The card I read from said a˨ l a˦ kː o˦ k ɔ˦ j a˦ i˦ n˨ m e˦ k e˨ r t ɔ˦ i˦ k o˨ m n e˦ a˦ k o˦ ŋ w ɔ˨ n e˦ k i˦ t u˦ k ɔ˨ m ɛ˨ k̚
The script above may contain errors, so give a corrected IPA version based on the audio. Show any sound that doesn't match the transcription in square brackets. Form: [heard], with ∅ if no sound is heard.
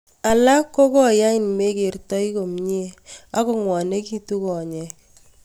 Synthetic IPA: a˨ l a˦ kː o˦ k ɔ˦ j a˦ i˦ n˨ m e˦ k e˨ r t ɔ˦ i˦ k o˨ m [ɲ] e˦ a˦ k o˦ ŋ w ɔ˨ n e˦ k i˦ t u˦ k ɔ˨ [ɲ] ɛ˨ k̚